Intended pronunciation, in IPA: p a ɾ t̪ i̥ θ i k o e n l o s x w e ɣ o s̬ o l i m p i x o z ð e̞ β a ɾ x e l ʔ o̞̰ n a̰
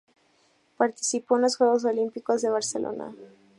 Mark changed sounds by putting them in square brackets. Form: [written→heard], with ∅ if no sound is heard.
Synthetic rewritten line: p a ɾ t̪ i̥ [θ→s] i [k→p] o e n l o s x w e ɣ o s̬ o l i m p i [x→k] o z ð e̞ β a ɾ [x→s] e l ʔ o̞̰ n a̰